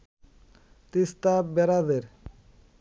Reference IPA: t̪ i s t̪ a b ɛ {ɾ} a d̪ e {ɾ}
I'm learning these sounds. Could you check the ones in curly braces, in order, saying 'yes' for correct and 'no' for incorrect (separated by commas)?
yes, yes